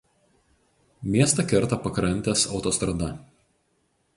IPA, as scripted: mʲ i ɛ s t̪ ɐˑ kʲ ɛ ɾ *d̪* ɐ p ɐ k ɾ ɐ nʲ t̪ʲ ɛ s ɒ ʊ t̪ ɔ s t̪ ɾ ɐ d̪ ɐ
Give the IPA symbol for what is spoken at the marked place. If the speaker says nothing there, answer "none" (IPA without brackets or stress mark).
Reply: t̪